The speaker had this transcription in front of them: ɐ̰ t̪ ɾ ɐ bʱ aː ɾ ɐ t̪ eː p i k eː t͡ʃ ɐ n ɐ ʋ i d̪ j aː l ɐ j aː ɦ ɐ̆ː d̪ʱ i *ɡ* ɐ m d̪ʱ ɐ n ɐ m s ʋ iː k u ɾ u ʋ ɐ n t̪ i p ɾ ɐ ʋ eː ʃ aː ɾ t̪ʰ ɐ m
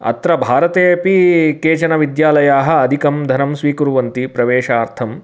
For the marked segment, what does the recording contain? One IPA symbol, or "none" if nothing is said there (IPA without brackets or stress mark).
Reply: k